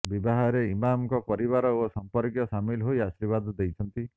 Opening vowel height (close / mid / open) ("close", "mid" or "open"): close